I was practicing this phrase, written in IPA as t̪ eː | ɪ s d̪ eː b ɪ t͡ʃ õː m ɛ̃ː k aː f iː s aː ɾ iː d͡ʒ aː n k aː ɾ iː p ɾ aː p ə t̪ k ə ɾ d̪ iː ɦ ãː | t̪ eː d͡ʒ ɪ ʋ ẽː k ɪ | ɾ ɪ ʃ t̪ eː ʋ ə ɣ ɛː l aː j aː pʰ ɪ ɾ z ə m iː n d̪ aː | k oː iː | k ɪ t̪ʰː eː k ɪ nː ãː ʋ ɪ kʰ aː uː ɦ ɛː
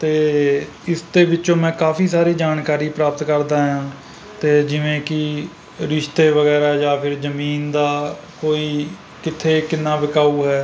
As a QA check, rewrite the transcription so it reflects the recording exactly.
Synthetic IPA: t̪ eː | ɪ s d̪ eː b ɪ t͡ʃ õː m ɛ̃ː k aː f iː s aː ɾ iː d͡ʒ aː n k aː ɾ iː p ɾ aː p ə t̪ k ə ɾ d̪ aː ɦ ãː | t̪ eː d͡ʒ ɪ ʋ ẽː k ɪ | ɾ ɪ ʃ t̪ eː ʋ ə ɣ ɛː ɾ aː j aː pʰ ɪ ɾ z ə m iː n d̪ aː | k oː iː | k ɪ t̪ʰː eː k ɪ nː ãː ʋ ɪ k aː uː ɦ ɛː

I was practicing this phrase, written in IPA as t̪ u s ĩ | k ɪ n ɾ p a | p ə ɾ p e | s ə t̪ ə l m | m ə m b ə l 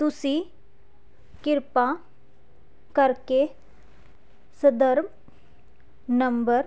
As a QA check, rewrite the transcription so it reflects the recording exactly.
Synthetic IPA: t̪ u s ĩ | k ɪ ɾ p a | k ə ɾ k e | s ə d̪ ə ɾ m | n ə m b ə ɾ

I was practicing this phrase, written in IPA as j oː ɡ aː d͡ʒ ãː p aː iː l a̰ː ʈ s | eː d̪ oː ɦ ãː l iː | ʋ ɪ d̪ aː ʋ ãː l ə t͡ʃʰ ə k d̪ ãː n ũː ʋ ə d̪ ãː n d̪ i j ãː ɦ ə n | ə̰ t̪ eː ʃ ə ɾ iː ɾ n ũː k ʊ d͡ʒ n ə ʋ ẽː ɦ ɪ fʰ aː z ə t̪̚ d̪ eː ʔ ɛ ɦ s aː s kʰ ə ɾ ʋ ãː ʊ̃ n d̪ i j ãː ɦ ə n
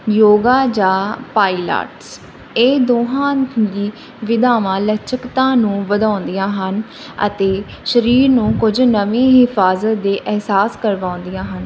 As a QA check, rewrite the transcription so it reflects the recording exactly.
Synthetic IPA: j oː ɡ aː d͡ʒ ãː p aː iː l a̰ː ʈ s | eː d̪ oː ɦ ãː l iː | ʋ ɪ d̪ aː ʋ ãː l ə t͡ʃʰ ə k t̪ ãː n ũː ʋ ə d̪ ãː n d̪ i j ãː ɦ ə n | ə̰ t̪ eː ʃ ə ɾ iː ɾ n ũː k ʊ d͡ʒ n ə ʋ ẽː ɦ ɪ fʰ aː z ə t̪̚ d̪ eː ʔ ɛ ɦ s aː s k ə ɾ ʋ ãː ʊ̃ n d̪ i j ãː ɦ ə n

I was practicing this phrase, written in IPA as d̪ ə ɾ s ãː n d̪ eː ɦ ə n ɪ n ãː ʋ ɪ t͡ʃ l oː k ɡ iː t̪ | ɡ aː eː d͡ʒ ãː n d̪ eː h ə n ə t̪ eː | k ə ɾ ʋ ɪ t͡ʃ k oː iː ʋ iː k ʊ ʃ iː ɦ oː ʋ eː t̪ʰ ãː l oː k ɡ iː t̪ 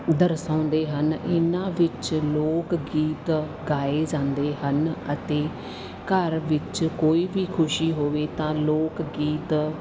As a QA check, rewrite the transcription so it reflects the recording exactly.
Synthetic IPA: d̪ ə ɾ s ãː n d̪ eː ɦ ə n ɪ n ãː ʋ ɪ t͡ʃ l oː k ɡ iː t̪ | ɡ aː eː d͡ʒ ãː n d̪ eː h ə n ə t̪ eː | k ə ɾ ʋ ɪ t͡ʃ k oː iː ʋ iː kʰ ʊ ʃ iː ɦ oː ʋ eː t̪ ãː l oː k ɡ iː t̪

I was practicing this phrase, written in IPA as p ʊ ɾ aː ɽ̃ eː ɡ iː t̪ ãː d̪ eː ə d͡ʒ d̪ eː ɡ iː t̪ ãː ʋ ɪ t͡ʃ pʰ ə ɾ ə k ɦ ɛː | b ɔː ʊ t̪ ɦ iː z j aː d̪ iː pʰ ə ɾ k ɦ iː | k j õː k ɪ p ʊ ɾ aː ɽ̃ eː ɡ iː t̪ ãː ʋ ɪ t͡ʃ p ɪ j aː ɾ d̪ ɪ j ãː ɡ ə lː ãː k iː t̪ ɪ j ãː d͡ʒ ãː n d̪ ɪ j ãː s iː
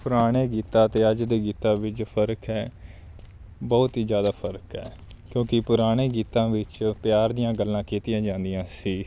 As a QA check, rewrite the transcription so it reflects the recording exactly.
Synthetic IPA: p ʊ ɾ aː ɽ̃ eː ɡ iː t̪ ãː t̪ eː ə d͡ʒ d̪ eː ɡ iː t̪ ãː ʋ ɪ t͡ʃ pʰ ə ɾ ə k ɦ ɛː | b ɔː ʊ t̪ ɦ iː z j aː d̪ aː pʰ ə ɾ k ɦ ɛː | k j õː k ɪ p ʊ ɾ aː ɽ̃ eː ɡ iː t̪ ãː ʋ ɪ t͡ʃ p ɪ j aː ɾ d̪ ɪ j ãː ɡ ə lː ãː k iː t̪ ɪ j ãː d͡ʒ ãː n d̪ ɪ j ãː s iː

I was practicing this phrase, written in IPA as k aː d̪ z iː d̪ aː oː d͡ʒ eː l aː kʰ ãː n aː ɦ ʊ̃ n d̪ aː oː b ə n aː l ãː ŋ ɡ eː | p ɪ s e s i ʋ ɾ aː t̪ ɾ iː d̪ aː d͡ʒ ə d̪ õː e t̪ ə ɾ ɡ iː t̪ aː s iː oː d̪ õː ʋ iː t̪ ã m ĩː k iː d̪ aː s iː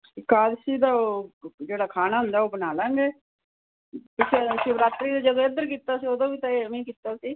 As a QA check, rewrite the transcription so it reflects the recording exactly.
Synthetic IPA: k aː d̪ s iː d̪ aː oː d͡ʒ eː ɽ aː kʰ aː n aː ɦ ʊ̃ n d̪ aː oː b ə n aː l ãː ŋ ɡ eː | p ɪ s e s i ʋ ɾ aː t̪ ɾ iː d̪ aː d͡ʒ ə d̪ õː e d̪ ə ɾ k iː t̪ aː s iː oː d̪ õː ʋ iː t̪ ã m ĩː k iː t̪ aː s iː

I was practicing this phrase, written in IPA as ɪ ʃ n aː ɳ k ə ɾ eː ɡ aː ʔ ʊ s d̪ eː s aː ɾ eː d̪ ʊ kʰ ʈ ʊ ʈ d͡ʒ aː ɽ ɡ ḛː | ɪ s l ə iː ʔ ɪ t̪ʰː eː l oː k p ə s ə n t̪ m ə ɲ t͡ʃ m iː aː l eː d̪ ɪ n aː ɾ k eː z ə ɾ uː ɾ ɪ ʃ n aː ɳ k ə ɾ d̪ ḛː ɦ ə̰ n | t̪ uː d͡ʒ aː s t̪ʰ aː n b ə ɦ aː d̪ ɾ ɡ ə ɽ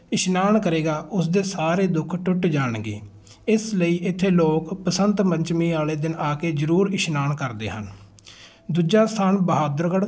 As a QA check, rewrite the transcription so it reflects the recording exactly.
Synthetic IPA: ɪ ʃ n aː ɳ k ə ɾ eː ɡ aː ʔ ʊ s d̪ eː s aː ɾ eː d̪ ʊ kʰ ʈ ʊ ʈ d͡ʒ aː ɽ ɡ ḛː | ɪ s l ə iː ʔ ɪ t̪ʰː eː l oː k p ə s ə n t̪ m ə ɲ t͡ʃ m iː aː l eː d̪ ɪ n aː k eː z ə ɾ uː ɾ ɪ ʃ n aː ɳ k ə ɾ d̪ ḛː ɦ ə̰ n | d̪ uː d͡ʒ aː s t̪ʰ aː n b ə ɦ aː d̪ ɾ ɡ ə ɽ

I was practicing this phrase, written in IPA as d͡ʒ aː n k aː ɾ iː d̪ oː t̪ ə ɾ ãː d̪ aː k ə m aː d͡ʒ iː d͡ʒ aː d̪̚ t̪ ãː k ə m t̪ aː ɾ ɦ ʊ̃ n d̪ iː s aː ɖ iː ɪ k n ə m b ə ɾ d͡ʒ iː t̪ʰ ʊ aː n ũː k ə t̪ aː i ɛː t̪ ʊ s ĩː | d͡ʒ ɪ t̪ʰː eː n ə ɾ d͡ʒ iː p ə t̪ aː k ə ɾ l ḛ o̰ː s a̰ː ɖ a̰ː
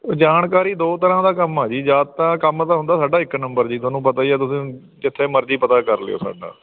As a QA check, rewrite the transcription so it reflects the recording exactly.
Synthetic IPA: d͡ʒ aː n k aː ɾ iː d̪ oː t̪ ə ɾ ãː d̪ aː k ə m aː d͡ʒ iː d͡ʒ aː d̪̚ t̪ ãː k ə m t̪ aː ɦ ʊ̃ n d̪ aː s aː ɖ aː ɪ k n ə m b ə ɾ d͡ʒ iː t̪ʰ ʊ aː n ũː p ə t̪ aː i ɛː t̪ ʊ s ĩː | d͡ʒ ɪ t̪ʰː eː m ə ɾ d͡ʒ iː p ə t̪ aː k ə ɾ l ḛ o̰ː s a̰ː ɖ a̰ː

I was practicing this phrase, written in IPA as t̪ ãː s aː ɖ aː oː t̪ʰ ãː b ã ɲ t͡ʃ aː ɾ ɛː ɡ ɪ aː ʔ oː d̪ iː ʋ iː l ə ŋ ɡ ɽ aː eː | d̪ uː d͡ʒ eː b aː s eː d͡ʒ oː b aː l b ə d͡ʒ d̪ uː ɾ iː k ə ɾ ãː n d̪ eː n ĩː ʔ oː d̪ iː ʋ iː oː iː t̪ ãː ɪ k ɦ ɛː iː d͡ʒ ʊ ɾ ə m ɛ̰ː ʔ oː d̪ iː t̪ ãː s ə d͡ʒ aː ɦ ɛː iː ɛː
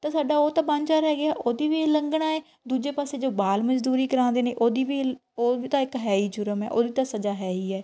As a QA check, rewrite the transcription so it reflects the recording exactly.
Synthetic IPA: t̪ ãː s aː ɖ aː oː t̪ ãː b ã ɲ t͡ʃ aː ɾ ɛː ɡ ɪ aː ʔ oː d̪ iː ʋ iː l ə ŋ ɡ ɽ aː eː | d̪ uː d͡ʒ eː p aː s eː d͡ʒ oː b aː l m ə d͡ʒ d̪ uː ɾ iː k ə ɾ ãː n d̪ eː n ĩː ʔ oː d̪ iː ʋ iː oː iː t̪ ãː ɪ k ɦ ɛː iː d͡ʒ ʊ ɾ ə m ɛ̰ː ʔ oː d̪ iː t̪ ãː s ə d͡ʒ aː ɦ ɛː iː ɛː

